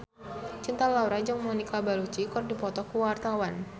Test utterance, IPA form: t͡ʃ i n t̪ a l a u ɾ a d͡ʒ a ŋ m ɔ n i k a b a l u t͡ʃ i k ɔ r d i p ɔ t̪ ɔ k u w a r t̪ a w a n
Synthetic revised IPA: t͡ʃ i n t̪ a l a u ɾ a d͡ʒ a ŋ m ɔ n i k a b a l u t͡ʃ i k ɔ r d i p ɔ t̪ ɔ k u w a r t̪ a w a n